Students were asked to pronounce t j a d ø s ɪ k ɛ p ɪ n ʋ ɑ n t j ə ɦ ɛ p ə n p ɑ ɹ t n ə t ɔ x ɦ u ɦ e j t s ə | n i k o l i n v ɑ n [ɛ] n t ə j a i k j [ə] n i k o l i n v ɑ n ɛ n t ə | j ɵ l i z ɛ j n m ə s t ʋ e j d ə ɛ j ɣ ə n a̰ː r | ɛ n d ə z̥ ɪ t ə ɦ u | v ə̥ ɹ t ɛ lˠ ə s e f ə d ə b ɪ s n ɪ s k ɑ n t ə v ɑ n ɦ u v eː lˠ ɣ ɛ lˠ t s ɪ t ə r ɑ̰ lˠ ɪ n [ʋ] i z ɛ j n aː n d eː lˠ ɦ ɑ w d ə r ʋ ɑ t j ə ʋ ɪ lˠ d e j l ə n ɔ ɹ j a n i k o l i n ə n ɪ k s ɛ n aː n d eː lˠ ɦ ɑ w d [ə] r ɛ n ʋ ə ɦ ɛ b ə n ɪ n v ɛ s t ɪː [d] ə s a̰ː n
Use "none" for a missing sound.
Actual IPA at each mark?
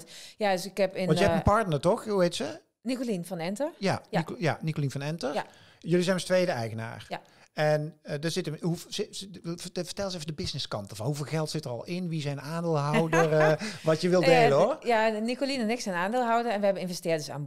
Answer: ɛ, a, ʋ, ə, d

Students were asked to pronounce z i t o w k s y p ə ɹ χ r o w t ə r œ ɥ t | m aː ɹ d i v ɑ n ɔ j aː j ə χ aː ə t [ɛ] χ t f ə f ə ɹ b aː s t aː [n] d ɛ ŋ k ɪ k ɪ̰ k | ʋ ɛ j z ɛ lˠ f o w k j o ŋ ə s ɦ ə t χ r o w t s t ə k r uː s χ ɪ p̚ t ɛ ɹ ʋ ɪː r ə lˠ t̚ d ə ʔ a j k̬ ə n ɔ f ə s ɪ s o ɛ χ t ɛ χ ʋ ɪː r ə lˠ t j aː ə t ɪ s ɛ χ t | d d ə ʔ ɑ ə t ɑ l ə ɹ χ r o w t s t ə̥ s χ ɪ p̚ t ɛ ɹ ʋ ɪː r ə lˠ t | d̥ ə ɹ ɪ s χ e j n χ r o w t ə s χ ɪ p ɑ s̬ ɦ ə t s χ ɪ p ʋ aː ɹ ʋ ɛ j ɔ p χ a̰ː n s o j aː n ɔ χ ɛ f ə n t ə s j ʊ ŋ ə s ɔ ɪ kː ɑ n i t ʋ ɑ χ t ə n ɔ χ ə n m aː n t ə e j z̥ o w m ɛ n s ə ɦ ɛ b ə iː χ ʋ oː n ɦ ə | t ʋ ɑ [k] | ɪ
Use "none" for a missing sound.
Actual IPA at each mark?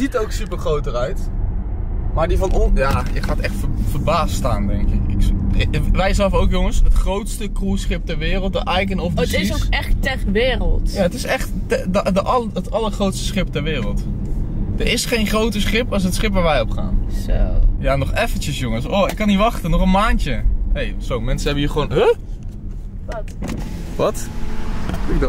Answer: ɛ, n, t

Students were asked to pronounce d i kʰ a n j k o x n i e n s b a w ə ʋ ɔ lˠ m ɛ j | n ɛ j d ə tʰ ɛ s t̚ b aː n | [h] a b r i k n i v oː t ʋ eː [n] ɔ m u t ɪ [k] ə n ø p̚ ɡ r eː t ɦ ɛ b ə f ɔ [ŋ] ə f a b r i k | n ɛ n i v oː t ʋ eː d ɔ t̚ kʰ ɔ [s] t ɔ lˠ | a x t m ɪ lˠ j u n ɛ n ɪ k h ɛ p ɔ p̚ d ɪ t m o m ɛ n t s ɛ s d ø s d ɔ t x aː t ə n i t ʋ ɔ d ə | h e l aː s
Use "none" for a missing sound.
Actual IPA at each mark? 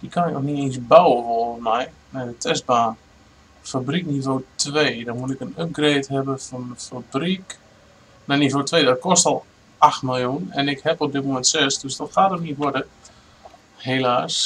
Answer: f, d, k, n, s

